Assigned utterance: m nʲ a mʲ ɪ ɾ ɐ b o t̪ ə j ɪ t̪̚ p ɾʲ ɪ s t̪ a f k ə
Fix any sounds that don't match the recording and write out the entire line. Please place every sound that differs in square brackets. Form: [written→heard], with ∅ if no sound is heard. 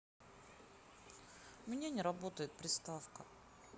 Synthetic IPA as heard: m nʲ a [mʲ→nʲ] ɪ ɾ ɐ b o t̪ ə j ɪ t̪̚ p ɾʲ ɪ s t̪ a f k ə